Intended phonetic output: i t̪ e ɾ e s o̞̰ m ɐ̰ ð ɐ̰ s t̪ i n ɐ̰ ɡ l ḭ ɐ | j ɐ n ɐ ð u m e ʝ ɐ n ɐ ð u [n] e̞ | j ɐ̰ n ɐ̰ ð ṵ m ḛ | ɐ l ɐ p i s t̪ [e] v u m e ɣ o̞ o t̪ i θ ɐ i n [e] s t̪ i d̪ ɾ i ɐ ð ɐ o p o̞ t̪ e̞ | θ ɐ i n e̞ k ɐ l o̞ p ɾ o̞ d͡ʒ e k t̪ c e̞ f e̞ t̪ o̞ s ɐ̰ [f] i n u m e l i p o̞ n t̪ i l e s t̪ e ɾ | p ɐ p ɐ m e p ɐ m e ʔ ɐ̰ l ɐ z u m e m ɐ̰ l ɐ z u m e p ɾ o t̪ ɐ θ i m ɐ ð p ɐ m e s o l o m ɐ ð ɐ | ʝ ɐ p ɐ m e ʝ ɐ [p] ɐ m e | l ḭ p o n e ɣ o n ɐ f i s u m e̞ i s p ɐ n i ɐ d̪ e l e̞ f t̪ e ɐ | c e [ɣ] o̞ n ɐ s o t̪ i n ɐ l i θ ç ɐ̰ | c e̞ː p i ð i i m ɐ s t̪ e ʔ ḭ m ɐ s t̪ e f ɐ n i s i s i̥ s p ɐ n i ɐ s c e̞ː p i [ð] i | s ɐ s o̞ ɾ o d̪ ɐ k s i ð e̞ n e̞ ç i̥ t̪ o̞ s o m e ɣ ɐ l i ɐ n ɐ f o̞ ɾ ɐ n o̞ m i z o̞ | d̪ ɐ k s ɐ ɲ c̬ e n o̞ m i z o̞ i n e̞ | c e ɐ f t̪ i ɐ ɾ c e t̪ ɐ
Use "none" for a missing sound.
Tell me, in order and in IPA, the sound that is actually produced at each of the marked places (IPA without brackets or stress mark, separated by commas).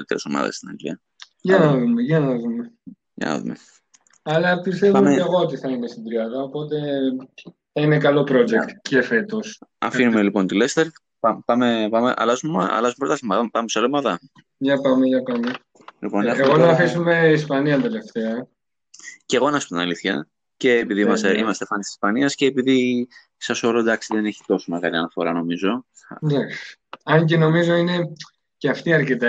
m, e, e, f, p, ɣ, ð